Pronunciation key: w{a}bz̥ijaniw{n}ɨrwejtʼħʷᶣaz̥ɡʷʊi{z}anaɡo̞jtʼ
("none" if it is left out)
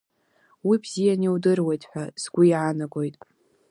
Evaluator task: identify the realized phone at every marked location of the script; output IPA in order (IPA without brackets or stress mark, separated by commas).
i, d, ʕ